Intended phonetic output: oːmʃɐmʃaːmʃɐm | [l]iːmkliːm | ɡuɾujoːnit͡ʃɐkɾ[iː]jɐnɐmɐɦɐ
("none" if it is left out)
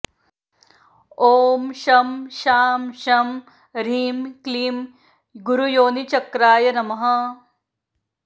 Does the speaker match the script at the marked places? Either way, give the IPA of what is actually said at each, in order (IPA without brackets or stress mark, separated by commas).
ɾ, aː